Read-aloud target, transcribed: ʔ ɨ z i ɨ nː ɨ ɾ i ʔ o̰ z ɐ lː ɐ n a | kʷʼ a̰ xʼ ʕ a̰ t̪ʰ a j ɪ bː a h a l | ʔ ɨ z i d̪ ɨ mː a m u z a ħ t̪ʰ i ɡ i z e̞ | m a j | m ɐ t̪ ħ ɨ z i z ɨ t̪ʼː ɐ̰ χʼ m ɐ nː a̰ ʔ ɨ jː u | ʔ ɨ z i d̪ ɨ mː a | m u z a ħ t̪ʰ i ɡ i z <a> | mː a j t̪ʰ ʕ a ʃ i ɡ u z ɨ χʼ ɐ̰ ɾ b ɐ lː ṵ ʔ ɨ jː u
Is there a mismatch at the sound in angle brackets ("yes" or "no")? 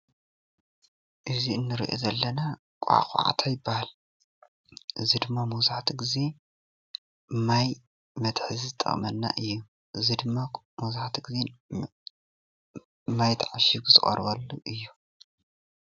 yes